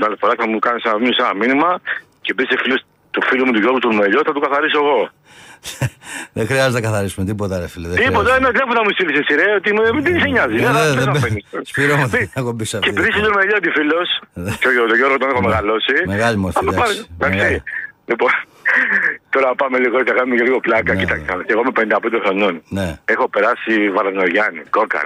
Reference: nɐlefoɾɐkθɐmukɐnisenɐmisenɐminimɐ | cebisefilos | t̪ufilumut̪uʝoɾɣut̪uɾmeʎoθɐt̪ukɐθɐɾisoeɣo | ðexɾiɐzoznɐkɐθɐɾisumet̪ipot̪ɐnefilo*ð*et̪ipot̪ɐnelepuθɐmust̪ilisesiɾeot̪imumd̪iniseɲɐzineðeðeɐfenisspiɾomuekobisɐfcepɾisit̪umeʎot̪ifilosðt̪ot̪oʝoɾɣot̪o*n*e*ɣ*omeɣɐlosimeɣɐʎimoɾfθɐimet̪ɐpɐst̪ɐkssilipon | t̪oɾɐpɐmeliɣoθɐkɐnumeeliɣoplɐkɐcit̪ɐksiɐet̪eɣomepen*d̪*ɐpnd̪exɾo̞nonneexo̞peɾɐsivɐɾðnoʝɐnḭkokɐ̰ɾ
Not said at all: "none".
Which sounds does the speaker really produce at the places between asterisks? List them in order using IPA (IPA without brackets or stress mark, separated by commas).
ð, n, x, d̪